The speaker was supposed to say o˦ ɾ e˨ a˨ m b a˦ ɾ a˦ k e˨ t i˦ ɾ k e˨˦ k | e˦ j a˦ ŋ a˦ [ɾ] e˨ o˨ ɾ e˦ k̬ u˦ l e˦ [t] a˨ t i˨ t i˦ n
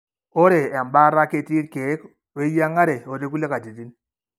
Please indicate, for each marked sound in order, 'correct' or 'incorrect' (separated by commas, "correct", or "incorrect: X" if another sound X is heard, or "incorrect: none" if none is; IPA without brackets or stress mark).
correct, incorrect: k